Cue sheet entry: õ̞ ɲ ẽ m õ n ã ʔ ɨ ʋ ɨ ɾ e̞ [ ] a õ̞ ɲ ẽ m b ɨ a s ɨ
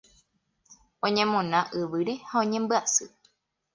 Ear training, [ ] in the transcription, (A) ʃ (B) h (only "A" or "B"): B